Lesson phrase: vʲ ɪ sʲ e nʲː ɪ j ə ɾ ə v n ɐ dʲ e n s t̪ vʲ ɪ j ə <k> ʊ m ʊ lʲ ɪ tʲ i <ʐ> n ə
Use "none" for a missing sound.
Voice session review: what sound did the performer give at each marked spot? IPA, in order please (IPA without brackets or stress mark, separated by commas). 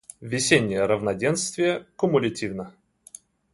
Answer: k, v